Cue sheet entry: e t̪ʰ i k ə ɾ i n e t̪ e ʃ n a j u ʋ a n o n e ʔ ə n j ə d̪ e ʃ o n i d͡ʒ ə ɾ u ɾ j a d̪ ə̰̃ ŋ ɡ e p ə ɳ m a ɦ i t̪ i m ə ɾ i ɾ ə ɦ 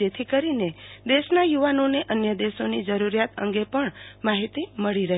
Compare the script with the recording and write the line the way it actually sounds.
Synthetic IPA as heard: e t̪ʰ i k ə ɾ i n e d̪ e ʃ n a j u ʋ a n o n e ʔ ə n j ə d̪ e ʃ o n i d͡ʒ ə ɾ u ɾ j a t̪ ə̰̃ ŋ ɡ e p ə ɳ m a ɦ i t̪ i m ə ɭ i ɾ ə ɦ